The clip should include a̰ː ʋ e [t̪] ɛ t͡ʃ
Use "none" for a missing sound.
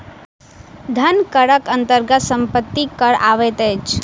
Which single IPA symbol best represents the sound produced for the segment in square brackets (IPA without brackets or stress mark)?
t̪